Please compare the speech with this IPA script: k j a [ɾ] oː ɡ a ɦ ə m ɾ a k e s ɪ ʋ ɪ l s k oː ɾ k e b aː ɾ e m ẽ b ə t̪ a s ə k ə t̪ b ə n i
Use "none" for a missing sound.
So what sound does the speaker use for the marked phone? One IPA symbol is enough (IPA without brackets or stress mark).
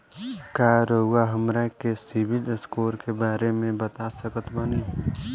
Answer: ɾ